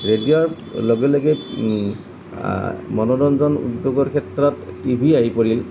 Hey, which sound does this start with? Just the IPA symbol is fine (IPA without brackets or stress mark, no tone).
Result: ɹ